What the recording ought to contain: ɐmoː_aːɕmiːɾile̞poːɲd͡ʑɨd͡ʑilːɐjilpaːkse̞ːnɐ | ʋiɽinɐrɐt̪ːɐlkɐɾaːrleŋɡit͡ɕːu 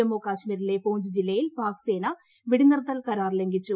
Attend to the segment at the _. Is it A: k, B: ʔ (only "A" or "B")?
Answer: A